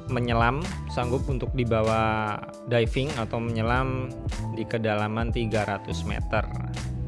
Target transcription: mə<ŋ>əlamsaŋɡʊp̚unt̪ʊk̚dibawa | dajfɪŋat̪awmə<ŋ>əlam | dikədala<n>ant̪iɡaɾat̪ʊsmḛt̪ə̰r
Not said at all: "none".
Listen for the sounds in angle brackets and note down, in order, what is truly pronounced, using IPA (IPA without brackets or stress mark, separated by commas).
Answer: ɲ, ɲ, m